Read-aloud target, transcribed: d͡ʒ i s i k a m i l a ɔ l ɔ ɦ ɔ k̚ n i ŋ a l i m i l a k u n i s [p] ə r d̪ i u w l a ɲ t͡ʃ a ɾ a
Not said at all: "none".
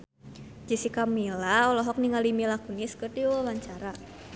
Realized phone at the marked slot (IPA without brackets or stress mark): k